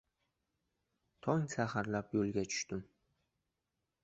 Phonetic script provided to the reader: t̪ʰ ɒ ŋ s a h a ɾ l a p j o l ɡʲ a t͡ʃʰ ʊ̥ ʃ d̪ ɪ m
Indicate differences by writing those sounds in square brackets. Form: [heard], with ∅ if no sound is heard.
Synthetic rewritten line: t̪ʰ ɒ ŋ s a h a ɾ l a p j o l ɡʲ a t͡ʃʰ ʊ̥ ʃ [t̪] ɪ m